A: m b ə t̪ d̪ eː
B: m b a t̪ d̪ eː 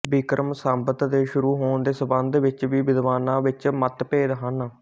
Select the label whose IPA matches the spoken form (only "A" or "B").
A